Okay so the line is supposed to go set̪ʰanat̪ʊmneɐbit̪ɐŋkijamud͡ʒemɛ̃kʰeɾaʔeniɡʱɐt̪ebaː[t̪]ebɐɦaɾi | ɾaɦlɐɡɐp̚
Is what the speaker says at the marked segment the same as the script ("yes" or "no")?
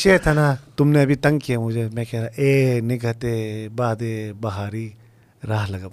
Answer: no